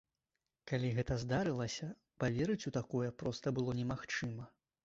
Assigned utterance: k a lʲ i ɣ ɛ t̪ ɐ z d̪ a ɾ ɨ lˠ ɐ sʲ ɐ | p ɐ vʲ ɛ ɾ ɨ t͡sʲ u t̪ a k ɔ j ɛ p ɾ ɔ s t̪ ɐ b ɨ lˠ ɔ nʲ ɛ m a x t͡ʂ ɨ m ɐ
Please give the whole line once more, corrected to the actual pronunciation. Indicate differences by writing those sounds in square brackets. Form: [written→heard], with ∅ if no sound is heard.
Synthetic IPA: k a lʲ i ɣ ɛ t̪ ɐ z d̪ a ɾ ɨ lˠ ɐ sʲ ɐ | p [ɐ→a] vʲ ɛ ɾ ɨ t͡sʲ u t̪ a k ɔ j ɛ p ɾ ɔ s t̪ ɐ b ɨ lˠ ɔ nʲ ɛ m a x t͡ʂ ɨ m ɐ